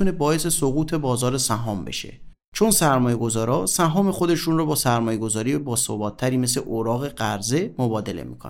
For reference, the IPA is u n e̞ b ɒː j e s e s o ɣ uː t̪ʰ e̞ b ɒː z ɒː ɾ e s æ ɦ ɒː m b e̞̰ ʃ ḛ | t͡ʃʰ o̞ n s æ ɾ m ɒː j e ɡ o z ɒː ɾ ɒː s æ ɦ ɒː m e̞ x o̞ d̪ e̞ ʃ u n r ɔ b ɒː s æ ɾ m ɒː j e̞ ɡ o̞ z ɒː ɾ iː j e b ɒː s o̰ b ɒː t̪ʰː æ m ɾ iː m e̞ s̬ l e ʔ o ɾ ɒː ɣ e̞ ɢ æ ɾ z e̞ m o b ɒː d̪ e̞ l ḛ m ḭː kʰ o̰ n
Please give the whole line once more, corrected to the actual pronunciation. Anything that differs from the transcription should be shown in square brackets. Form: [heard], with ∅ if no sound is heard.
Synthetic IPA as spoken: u n e̞ b ɒː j e s e s o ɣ uː t̪ʰ e̞ b ɒː z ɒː ɾ e s æ ɦ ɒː m b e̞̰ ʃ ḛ | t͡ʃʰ o̞ n s æ ɾ m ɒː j e ɡ o z ɒː ɾ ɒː s æ ɦ ɒː m e̞ x o̞ d̪ e̞ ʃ u n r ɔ b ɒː s æ ɾ m ɒː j e̞ ɡ o̞ z ɒː ɾ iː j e b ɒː s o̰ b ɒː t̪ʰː æ [∅] ɾ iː m e̞ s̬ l e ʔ o ɾ ɒː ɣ e̞ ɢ æ ɾ z e̞ m o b ɒː d̪ e̞ l ḛ m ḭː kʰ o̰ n